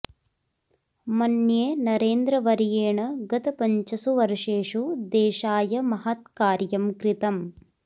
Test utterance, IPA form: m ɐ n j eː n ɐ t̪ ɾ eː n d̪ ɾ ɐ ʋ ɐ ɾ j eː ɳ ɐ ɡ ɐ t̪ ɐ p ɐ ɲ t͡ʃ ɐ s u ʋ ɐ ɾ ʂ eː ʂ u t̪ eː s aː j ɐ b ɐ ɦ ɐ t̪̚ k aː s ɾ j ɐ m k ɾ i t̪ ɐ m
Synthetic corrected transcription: m ɐ n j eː n ɐ ɾ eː n d̪ ɾ ɐ ʋ ɐ ɾ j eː ɳ ɐ ɡ ɐ t̪ ɐ p ɐ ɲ t͡ʃ ɐ s u ʋ ɐ ɾ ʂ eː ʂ u d̪ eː ʃ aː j ɐ m ɐ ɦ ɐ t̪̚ k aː ɾ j ɐ m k ɾ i t̪ ɐ m